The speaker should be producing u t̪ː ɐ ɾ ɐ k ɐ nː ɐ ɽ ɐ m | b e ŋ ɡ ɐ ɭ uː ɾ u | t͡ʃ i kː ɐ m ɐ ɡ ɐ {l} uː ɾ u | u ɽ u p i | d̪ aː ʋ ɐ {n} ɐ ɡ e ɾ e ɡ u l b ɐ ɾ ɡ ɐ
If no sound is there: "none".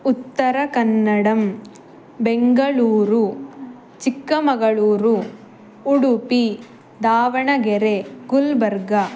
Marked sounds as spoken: ɭ, ɳ

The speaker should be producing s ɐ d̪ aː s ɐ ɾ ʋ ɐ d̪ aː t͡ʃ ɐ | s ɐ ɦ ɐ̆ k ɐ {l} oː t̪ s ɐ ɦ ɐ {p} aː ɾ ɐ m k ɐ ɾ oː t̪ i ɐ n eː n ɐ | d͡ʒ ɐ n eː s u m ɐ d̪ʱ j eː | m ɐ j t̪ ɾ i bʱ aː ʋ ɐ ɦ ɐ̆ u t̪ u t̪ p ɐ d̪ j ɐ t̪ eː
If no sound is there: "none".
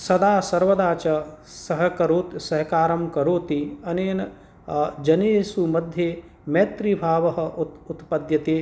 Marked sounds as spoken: ɾ, k

